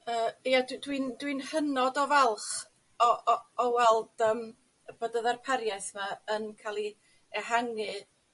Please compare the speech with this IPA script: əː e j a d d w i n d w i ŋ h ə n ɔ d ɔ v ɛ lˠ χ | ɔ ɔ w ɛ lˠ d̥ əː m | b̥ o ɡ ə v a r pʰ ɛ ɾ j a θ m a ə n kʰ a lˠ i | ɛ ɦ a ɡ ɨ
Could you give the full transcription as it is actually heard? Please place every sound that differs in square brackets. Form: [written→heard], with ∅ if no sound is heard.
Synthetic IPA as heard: əː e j a d d w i n d w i [ŋ→n] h ə n ɔ d ɔ v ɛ lˠ χ | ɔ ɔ w ɛ lˠ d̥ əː m | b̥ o [ɡ→d] ə [v→ð] a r pʰ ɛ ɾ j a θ m a ə n kʰ a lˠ i | ɛ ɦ a [ɡ→ŋ] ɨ